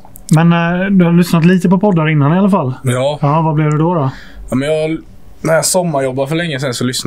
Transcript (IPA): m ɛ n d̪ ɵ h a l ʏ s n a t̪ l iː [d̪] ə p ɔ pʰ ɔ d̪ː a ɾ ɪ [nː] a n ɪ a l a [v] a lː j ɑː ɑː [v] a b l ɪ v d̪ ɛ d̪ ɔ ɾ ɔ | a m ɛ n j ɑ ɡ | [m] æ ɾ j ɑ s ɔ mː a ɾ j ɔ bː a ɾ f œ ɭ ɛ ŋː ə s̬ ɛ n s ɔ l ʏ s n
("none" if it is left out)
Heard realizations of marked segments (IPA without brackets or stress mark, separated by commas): t̪, nː, f, v, n